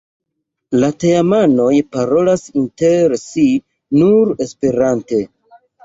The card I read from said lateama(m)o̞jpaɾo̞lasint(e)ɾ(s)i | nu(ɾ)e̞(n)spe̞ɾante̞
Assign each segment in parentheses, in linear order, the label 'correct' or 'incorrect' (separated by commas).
incorrect, correct, correct, correct, incorrect